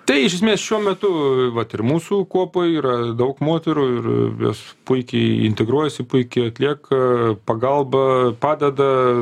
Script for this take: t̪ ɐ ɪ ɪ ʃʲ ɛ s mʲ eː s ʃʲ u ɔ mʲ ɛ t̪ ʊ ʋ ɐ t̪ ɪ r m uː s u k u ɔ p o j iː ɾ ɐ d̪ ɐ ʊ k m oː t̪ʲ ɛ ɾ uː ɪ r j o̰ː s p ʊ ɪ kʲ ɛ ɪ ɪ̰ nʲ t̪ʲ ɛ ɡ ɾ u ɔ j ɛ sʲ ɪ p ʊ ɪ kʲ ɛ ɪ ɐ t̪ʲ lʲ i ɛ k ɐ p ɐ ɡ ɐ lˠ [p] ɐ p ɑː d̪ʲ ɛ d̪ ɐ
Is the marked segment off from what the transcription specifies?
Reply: yes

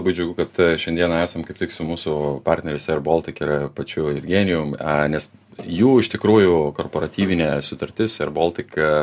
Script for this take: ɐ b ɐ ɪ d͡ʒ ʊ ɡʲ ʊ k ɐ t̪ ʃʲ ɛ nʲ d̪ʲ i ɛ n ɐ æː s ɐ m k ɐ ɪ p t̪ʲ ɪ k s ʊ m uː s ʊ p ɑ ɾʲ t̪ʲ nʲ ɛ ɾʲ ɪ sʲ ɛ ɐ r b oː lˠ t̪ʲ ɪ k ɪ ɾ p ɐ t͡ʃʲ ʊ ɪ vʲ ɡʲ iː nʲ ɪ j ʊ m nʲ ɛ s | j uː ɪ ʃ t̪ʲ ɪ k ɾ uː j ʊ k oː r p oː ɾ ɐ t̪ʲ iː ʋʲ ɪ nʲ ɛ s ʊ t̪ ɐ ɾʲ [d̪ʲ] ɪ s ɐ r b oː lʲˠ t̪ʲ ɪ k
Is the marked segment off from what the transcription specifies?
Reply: yes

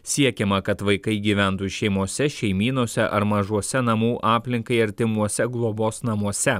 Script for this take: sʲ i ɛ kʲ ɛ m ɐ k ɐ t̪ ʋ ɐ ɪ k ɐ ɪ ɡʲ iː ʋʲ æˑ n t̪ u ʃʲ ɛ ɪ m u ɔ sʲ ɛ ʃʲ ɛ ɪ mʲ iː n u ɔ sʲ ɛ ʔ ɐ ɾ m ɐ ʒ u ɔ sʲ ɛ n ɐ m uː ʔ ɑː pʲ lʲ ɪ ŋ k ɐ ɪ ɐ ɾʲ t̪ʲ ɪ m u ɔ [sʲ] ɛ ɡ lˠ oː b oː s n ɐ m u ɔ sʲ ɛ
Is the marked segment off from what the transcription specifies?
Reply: no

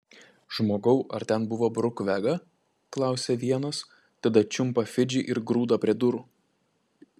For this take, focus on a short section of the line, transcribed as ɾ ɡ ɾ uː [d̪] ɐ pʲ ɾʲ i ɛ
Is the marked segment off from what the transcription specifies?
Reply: no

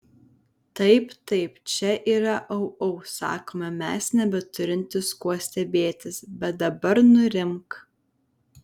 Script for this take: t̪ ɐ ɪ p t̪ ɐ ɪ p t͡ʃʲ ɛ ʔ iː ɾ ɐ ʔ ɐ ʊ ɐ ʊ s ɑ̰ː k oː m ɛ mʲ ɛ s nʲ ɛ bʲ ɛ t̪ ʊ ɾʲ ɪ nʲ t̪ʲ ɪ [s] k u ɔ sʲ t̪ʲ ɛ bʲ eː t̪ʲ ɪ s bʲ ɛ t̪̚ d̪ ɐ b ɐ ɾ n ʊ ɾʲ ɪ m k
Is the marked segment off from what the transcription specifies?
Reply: no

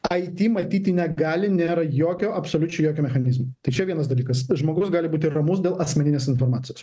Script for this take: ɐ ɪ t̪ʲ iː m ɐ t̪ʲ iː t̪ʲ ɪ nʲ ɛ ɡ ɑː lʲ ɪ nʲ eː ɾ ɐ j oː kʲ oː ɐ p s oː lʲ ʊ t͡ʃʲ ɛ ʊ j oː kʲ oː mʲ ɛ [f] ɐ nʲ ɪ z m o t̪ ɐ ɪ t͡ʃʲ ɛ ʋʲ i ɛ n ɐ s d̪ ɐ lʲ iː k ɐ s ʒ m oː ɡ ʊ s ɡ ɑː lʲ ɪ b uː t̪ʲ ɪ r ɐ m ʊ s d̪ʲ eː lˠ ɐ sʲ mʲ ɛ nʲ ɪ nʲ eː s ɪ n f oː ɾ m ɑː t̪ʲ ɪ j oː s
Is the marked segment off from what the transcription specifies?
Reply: yes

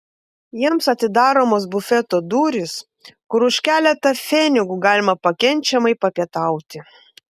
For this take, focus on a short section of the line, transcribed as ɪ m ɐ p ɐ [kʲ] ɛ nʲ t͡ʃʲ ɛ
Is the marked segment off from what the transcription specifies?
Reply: no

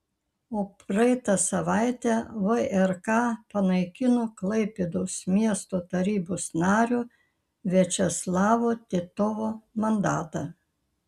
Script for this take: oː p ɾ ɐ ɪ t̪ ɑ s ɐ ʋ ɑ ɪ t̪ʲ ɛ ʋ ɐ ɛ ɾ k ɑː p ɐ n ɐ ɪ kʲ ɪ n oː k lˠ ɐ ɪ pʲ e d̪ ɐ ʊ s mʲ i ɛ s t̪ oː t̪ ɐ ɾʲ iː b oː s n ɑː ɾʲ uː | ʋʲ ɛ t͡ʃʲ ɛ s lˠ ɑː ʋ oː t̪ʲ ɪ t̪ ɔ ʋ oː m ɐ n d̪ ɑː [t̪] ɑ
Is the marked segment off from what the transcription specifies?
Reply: no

